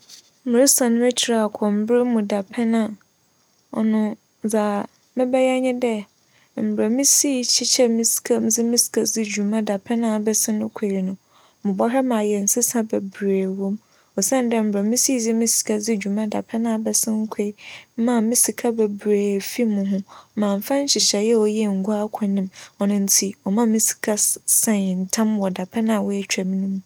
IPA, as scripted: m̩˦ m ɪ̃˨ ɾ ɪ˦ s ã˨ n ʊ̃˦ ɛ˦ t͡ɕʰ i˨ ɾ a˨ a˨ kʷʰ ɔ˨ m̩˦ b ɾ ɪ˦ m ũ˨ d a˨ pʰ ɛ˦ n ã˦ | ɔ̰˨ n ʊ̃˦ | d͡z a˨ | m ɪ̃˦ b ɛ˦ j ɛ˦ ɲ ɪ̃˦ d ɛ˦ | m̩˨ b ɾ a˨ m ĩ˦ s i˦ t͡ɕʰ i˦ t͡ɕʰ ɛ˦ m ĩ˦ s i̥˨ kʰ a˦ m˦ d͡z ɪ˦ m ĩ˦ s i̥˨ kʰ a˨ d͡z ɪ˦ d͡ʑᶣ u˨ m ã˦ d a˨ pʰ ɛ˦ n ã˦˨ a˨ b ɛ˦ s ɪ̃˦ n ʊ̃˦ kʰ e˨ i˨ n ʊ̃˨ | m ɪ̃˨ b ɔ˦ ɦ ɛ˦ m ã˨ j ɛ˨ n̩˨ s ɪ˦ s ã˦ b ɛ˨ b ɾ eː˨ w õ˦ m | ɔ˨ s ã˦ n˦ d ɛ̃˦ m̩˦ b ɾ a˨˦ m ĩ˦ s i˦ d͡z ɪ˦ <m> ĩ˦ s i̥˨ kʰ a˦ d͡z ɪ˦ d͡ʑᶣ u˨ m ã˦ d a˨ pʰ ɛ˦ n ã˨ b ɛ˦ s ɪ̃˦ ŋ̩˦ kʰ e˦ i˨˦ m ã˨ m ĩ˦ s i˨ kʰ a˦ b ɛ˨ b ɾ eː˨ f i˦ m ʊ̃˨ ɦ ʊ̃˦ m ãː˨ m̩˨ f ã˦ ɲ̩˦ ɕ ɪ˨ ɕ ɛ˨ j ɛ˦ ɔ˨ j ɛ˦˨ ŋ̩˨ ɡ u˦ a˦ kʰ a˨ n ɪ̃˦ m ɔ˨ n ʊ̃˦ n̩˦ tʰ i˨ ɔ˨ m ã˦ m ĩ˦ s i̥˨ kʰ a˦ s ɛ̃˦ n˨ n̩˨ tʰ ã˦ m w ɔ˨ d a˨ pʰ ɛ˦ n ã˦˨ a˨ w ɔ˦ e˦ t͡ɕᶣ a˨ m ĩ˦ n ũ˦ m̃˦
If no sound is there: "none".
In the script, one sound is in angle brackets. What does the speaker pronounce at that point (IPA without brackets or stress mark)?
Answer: m